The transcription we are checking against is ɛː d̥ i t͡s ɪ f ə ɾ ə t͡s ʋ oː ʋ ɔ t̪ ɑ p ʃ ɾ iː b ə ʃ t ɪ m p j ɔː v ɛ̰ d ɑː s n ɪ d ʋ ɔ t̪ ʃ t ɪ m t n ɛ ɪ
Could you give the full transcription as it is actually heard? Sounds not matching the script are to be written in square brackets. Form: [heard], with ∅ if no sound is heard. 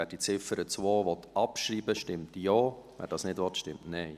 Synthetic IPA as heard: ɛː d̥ i t͡s ɪ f ə ɾ ə t͡s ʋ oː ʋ ɔ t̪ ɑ p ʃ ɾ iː b ə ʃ t ɪ m [t] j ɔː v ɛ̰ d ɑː s n ɪ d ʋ ɔ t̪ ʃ t ɪ m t n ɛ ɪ